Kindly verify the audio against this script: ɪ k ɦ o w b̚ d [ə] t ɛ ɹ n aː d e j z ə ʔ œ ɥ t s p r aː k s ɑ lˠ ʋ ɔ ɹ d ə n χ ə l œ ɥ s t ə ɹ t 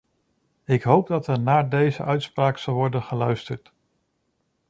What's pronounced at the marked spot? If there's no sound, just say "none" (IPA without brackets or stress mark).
ɑ